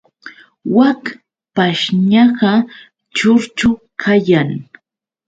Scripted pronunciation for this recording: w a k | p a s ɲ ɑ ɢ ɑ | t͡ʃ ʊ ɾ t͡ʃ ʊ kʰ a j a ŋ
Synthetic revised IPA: w a k | p a ʃ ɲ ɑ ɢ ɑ | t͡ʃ ʊ ɾ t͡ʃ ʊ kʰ a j a ŋ